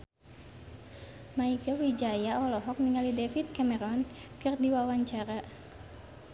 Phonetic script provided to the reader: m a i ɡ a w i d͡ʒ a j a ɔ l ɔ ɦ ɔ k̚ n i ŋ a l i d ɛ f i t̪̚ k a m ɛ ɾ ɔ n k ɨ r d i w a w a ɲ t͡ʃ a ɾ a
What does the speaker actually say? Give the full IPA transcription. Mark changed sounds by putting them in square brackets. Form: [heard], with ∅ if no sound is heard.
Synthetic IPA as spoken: m a i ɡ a w i d͡ʒ a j a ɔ l ɔ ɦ ɔ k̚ n i ŋ a l i d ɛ f i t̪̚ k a m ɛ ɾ ɔ n k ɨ r d i w a w a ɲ t͡ʃ a ɾ a